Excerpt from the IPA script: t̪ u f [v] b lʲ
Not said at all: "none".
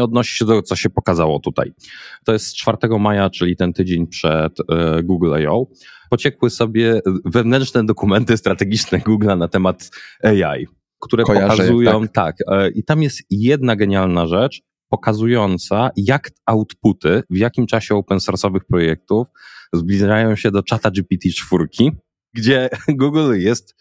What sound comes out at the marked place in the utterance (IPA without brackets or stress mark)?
z